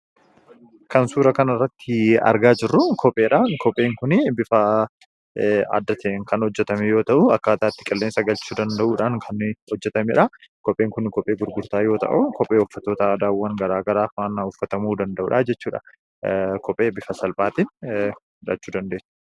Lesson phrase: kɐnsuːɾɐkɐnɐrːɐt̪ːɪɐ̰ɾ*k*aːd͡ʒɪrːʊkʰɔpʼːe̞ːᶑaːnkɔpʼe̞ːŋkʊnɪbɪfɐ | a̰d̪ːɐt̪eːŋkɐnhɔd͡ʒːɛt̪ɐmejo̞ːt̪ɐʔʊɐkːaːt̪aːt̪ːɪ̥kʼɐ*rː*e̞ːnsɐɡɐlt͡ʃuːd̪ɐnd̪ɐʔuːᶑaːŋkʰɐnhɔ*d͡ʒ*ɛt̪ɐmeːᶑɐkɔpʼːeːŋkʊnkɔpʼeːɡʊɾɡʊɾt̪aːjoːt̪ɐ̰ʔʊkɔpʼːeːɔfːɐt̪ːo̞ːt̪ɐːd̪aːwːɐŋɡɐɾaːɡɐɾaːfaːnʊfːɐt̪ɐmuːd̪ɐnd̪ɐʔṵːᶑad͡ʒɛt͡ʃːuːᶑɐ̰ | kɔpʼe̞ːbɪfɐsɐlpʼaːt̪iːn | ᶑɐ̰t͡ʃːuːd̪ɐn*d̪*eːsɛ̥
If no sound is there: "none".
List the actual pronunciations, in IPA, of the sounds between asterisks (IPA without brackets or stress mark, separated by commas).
ɡ, lː, d͡ʒː, d̪